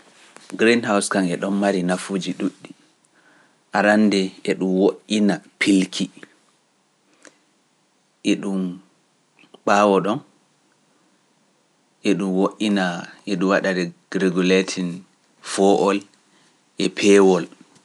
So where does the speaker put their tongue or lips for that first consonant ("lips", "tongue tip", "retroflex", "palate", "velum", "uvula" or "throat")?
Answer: velum